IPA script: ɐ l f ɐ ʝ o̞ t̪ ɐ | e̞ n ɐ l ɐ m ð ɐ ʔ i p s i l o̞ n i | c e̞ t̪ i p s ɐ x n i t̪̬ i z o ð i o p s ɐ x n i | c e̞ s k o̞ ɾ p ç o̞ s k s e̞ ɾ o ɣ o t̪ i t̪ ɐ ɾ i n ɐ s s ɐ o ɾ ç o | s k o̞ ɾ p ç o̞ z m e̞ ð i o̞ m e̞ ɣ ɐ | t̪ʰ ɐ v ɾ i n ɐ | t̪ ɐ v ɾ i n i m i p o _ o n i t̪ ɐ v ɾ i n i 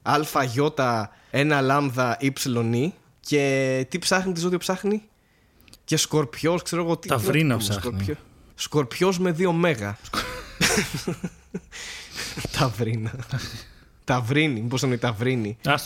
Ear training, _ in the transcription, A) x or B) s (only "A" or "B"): B